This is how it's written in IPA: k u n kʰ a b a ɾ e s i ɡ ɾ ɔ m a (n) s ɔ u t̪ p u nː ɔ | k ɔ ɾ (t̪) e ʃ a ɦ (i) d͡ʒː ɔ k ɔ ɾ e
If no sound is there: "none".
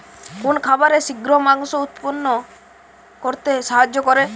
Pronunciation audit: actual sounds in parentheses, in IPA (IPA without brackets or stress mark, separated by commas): ŋ, t̪, a